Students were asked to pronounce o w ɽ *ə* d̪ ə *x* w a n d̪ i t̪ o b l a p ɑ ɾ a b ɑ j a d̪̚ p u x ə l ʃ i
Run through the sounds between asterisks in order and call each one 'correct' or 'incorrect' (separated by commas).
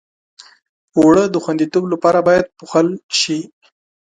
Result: correct, correct